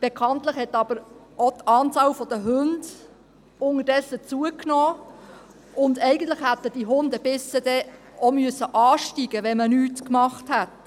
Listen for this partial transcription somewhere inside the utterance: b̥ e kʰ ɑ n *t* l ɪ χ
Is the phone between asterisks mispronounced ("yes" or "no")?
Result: no